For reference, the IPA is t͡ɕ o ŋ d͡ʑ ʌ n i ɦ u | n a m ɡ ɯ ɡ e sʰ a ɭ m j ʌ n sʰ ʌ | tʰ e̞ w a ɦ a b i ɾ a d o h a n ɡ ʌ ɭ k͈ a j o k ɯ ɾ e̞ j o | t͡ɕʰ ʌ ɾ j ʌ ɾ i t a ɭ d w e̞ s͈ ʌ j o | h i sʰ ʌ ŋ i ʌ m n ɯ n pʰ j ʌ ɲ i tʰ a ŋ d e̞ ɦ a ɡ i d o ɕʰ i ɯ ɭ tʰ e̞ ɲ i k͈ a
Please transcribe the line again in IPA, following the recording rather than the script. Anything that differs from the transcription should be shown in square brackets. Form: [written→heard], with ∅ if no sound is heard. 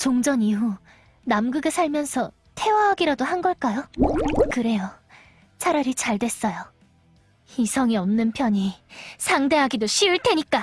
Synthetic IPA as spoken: t͡ɕ o ŋ d͡ʑ ʌ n i ɦ u | n a m ɡ ɯ ɡ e sʰ a ɭ m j ʌ n sʰ ʌ | tʰ e̞ w a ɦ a [b→ɡ] i ɾ a d o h a n ɡ ʌ ɭ k͈ a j o k ɯ ɾ e̞ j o | t͡ɕʰ [ʌ→a] ɾ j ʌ ɾ i [t→t͡ɕ] a ɭ d w e̞ s͈ ʌ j o | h i sʰ ʌ ŋ i ʌ m n ɯ n pʰ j ʌ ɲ i [tʰ→sʰ] a ŋ d e̞ ɦ a ɡ i d o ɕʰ i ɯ ɭ tʰ e̞ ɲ i k͈ a